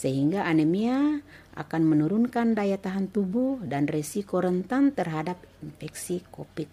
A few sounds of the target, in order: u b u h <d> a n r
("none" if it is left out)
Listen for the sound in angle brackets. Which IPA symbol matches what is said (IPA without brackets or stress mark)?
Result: d